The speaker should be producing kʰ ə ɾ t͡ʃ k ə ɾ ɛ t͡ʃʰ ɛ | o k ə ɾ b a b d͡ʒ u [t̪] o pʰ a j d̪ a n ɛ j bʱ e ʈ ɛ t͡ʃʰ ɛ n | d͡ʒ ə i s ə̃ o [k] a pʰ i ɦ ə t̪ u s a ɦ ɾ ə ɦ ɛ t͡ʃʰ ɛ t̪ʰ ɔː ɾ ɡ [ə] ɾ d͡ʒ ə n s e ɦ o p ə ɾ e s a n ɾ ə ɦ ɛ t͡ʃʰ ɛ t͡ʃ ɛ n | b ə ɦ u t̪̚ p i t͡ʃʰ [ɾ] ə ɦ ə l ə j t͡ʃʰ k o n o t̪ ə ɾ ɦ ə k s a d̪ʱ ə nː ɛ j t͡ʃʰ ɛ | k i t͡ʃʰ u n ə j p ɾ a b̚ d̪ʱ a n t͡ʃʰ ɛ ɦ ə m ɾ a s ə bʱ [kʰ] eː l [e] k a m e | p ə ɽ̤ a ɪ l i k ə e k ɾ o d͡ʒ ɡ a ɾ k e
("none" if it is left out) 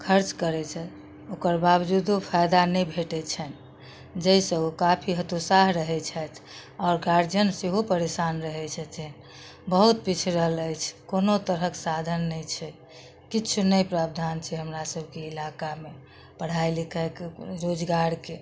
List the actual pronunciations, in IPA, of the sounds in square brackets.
d̪, k, a, ɾ, k, a

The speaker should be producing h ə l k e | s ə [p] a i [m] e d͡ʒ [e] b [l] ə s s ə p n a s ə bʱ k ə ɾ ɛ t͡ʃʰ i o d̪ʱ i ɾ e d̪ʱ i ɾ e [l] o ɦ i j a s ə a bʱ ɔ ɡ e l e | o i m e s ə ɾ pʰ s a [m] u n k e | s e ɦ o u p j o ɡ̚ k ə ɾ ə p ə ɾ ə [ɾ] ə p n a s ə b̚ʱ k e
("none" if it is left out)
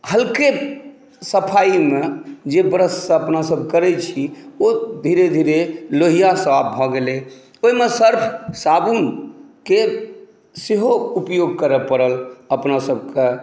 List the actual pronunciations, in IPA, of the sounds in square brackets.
pʰ, m, e, ɾ, l, b, l

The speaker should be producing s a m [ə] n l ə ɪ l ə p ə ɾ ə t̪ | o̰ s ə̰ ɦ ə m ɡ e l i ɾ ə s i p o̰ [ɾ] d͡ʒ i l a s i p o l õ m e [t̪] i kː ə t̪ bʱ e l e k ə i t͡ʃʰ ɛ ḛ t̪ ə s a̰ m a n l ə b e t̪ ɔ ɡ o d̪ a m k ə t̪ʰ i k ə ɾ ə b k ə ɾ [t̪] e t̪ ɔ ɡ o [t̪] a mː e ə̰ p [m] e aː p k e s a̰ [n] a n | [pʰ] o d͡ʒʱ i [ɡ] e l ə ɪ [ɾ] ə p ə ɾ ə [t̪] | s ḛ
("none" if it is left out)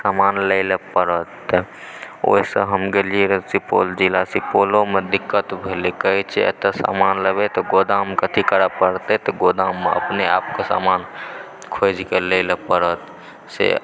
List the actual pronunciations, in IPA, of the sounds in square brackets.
a, l, d̪, t̪, d̪, n, m, kʰ, k, l, t̪

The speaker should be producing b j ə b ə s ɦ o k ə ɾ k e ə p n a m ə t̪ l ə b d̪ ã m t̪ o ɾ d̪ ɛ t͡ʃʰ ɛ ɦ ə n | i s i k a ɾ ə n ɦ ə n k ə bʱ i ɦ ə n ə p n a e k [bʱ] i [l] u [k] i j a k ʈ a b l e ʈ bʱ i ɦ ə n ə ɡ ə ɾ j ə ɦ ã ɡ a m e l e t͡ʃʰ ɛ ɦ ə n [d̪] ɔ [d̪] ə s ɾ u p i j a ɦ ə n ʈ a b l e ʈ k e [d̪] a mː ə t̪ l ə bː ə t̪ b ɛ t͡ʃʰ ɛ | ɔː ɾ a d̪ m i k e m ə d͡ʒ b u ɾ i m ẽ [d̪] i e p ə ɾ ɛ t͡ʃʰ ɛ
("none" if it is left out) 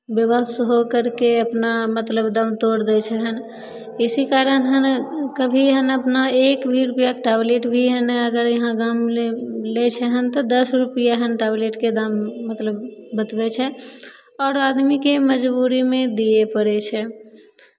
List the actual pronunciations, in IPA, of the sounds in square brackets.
bʱ, ɾ, p, t̪, d̪, d̪, d̪

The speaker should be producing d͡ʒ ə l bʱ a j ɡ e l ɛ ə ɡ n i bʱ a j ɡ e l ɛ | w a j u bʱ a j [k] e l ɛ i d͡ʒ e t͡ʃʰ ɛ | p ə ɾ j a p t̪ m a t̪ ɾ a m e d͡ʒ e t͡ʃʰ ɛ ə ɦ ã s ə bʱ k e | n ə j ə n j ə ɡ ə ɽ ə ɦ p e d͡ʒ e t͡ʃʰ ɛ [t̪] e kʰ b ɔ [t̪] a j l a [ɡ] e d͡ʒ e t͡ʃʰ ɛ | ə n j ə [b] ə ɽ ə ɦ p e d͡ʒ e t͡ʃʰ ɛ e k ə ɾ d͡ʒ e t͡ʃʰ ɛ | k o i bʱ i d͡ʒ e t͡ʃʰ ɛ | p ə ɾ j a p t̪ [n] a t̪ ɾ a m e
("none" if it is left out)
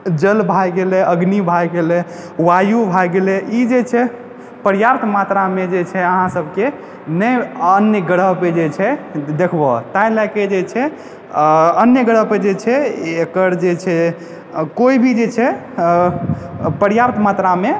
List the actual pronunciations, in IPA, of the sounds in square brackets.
ɡ, d̪, t̪, k, ɡ, m

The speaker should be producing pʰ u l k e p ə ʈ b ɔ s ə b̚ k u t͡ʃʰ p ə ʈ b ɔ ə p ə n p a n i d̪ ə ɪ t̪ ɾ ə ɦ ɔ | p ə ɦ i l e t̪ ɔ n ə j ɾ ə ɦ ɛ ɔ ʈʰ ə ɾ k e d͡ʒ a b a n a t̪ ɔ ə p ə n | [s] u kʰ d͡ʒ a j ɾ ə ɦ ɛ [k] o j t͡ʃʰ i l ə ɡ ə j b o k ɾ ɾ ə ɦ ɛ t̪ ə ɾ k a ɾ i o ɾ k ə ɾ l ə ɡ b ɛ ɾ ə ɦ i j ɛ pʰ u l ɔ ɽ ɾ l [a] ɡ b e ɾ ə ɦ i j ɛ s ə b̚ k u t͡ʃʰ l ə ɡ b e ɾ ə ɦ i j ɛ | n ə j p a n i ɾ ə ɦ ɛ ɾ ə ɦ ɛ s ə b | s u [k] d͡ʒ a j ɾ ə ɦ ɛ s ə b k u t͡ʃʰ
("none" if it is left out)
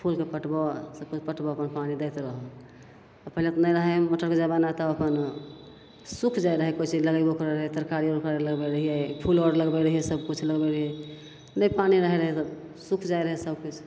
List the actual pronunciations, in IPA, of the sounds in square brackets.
s, k, ə, kʰ

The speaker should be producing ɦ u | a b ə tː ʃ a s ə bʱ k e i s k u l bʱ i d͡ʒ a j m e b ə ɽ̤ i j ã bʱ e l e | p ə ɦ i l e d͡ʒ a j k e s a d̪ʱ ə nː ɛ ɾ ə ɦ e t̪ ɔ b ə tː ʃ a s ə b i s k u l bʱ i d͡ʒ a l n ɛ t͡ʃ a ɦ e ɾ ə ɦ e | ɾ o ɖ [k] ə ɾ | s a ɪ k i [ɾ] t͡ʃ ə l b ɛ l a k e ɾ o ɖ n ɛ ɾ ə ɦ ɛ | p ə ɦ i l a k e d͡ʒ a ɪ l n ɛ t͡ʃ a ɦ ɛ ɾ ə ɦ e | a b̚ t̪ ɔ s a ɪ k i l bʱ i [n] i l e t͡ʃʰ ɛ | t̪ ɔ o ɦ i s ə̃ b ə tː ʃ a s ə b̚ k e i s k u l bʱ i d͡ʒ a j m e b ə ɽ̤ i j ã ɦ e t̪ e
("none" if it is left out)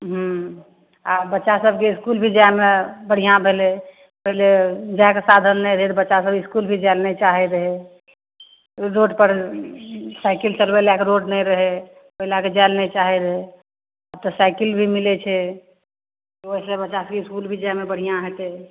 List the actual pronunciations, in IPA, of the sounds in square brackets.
p, l, m

